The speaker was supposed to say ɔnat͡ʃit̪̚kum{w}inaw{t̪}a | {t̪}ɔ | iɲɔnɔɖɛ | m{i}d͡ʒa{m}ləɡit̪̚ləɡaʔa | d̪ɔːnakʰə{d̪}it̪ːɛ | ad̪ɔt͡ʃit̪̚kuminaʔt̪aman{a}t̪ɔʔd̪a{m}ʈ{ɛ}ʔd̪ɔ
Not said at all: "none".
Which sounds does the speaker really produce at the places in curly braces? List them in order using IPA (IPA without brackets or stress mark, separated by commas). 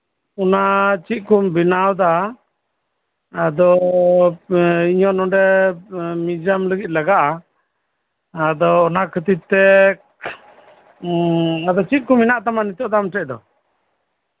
b, d̪, d̪, i, m, t̪, i, m, ɛ